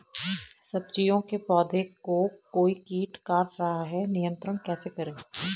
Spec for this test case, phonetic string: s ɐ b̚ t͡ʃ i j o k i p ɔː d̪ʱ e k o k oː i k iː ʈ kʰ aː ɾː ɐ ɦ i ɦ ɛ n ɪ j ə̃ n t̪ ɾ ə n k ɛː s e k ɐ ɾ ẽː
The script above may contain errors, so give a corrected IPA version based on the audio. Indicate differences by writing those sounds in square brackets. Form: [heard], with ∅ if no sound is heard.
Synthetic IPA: s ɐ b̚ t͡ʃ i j [õ] k [e] p ɔː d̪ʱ e k o k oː i k iː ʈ [k] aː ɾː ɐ ɦ [a] ɦ ɛ n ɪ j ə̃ n t̪ ɾ ə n k ɛː s e k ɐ ɾ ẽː